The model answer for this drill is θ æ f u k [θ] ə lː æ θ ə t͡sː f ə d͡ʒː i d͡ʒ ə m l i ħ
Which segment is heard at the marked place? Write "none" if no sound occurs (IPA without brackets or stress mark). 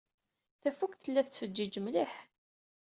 θ